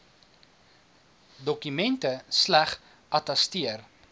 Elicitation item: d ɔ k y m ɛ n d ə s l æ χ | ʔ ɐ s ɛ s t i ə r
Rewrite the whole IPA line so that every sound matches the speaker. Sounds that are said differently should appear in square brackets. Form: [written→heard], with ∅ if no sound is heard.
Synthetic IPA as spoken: d ɔ k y m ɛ n [d→t] ə s l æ χ | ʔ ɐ [s→t] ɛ s t i ə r